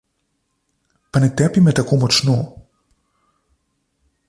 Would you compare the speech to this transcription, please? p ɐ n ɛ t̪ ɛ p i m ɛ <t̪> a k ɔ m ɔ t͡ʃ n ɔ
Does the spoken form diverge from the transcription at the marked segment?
no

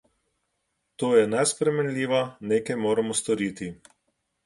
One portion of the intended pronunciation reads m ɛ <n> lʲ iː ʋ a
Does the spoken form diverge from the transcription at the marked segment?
no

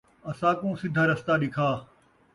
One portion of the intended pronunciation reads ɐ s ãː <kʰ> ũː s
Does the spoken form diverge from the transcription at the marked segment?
yes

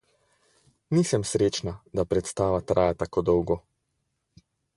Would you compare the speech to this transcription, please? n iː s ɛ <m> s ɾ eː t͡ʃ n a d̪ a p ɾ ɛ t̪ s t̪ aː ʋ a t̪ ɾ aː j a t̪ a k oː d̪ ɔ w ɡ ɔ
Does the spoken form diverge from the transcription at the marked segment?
no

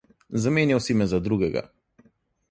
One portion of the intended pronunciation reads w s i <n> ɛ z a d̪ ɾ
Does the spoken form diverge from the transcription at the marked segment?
yes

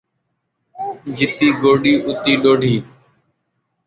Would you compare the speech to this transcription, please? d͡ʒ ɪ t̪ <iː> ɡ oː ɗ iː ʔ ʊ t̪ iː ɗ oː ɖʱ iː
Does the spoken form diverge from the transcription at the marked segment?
no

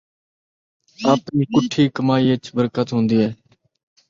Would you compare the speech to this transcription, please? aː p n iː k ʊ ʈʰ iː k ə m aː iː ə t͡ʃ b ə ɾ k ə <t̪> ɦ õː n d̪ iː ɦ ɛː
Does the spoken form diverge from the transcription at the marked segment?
no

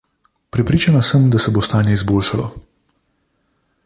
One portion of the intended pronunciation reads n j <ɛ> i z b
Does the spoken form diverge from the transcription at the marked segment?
no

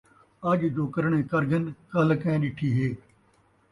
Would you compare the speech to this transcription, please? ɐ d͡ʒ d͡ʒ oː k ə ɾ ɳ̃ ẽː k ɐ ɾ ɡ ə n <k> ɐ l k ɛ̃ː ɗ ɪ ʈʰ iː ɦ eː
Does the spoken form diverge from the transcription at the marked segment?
no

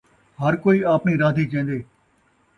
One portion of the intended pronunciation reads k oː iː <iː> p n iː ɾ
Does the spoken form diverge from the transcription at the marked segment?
yes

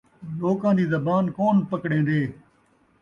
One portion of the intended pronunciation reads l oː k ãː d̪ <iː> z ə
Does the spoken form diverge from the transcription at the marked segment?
no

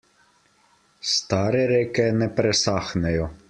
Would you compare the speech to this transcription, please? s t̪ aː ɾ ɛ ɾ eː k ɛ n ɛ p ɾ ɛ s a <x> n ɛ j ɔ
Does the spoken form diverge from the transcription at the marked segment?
no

